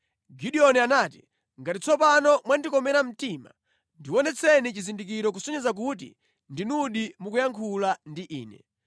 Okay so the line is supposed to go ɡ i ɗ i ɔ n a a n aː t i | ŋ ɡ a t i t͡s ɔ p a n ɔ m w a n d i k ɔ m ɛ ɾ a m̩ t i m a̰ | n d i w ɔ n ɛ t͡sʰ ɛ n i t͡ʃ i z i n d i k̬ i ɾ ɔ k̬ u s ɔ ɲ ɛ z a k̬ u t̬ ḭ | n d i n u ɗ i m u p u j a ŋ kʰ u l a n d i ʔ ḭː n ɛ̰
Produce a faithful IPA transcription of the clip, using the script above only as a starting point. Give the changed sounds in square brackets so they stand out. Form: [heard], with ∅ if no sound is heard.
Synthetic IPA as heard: ɡ i ɗ i ɔ n [i] a n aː t i | ŋ ɡ a t i t͡s ɔ p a n ɔ m w a n d i k ɔ m ɛ ɾ a m̩ t i m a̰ | n d i w ɔ n ɛ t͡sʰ ɛ n i t͡ʃ i z i n d i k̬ i ɾ ɔ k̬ u s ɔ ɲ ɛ z a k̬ u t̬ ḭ | n d i n u ɗ i m u [k] u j a ŋ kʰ u l a n d i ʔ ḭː n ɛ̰